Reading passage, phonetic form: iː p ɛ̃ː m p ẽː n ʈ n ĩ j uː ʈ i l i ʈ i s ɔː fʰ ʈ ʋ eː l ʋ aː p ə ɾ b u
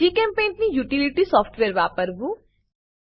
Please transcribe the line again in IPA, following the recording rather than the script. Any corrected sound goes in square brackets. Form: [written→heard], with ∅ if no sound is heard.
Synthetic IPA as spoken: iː [p→k] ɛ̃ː m p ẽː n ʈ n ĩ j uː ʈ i l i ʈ i s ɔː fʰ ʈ ʋ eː [l→ɾ] ʋ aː p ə ɾ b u